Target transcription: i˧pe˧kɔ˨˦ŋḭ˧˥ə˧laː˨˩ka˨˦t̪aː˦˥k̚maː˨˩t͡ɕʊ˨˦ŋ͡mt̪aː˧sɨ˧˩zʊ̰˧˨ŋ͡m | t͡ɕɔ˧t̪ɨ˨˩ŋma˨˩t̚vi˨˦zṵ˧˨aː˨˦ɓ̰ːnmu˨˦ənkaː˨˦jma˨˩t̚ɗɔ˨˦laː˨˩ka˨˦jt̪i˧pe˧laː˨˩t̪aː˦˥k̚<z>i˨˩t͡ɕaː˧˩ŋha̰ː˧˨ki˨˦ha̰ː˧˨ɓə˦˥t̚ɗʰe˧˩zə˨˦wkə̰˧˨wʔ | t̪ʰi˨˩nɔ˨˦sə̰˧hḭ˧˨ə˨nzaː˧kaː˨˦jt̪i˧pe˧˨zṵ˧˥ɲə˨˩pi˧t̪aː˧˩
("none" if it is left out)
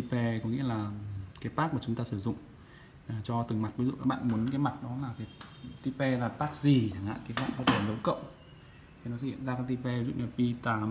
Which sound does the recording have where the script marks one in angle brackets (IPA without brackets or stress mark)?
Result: z